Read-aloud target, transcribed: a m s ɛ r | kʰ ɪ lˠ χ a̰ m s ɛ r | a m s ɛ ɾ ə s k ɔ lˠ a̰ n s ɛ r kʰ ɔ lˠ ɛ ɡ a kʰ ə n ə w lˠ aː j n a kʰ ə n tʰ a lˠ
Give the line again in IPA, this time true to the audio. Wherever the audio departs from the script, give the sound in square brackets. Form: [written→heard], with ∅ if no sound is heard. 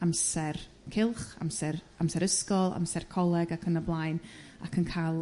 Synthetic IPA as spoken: a m s ɛ r | kʰ ɪ lˠ χ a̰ m s ɛ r | a m s ɛ ɾ ə s k ɔ lˠ a̰ [n→m] s ɛ r kʰ ɔ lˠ ɛ ɡ a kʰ ə n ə [w→b] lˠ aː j n a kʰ ə n [tʰ→kʰ] a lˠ